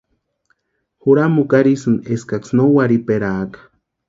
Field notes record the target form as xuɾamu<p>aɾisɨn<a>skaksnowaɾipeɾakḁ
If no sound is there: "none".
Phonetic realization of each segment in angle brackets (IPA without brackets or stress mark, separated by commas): k, e